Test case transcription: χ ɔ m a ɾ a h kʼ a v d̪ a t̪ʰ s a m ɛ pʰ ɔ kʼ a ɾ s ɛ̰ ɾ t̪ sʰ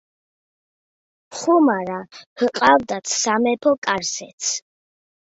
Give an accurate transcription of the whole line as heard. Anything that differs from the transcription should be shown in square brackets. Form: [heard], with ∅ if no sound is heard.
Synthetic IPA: χ [u] m a ɾ a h [qʼ] a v d̪ a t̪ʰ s a m ɛ pʰ ɔ kʼ a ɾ s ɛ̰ [∅] t̪ sʰ